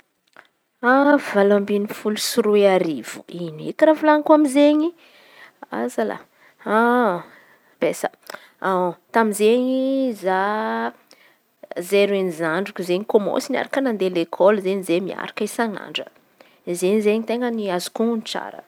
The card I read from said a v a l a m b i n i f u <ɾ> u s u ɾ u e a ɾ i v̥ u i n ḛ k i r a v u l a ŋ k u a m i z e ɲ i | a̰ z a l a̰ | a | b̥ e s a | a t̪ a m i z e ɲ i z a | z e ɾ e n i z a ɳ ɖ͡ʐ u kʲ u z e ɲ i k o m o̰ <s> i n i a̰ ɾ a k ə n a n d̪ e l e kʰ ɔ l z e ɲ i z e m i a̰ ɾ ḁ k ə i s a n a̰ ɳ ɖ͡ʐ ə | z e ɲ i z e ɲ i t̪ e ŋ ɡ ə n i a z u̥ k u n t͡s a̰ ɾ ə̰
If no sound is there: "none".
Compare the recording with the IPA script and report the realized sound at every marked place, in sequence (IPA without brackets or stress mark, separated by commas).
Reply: l, s